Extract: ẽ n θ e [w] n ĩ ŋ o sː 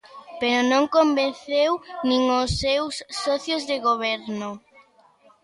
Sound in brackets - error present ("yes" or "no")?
no